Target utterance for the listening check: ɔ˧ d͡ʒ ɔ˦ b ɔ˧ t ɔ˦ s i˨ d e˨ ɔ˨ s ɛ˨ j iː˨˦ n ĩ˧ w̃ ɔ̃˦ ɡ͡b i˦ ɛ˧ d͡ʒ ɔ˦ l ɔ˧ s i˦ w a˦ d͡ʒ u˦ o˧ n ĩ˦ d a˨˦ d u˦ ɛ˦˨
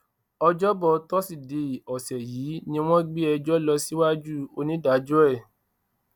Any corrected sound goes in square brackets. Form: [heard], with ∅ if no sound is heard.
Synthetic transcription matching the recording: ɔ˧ d͡ʒ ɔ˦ b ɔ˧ t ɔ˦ s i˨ d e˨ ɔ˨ s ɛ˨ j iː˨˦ n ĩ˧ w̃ ɔ̃˦ ɡ͡b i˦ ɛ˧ d͡ʒ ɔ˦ l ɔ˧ s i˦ w a˦ d͡ʒ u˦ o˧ n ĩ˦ d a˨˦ [d͡ʒ] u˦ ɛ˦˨